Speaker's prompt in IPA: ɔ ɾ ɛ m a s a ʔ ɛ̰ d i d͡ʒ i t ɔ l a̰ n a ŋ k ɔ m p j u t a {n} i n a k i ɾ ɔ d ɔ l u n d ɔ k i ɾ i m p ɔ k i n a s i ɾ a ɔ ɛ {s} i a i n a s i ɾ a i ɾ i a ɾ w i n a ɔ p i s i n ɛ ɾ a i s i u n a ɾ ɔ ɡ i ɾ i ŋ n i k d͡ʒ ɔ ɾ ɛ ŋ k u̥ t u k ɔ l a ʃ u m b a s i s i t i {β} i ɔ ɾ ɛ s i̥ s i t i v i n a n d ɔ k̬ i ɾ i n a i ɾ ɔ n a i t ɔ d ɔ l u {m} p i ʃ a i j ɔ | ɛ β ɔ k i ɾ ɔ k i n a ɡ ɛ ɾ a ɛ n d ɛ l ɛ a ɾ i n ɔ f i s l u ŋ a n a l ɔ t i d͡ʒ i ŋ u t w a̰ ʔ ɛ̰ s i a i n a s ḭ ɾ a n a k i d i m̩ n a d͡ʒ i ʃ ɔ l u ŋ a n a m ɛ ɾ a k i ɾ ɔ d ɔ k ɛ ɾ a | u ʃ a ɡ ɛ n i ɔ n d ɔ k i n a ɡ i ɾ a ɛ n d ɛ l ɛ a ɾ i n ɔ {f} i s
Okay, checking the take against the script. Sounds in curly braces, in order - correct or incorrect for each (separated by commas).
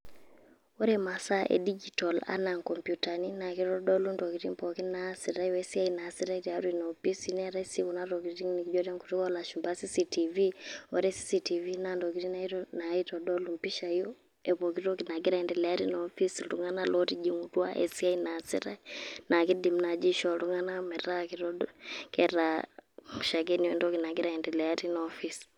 correct, correct, incorrect, correct, correct